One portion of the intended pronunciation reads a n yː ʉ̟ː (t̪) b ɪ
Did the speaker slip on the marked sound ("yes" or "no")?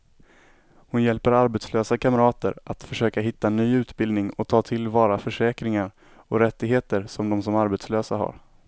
no